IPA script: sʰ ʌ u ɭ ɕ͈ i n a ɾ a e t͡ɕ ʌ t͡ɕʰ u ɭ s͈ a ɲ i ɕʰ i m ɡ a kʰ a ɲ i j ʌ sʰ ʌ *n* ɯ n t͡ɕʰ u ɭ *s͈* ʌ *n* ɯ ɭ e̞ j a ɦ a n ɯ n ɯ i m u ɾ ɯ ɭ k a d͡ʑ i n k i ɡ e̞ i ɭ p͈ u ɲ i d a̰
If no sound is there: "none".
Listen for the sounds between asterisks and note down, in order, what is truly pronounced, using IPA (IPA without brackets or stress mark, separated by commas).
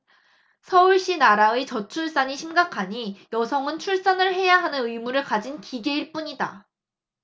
ŋ, s͈, n